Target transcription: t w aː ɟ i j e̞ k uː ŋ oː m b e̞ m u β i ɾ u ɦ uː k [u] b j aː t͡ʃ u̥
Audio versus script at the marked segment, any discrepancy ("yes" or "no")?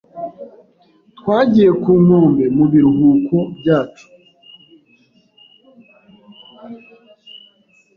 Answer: yes